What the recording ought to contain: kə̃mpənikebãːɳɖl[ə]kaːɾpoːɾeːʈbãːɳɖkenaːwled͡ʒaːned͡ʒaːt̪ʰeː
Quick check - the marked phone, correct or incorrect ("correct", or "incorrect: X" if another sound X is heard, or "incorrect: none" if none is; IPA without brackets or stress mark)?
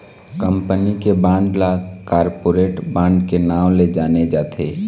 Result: incorrect: a